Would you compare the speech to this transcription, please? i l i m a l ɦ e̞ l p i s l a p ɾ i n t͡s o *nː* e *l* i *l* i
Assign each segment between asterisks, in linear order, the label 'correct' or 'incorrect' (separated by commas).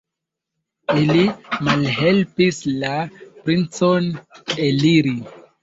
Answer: incorrect, correct, incorrect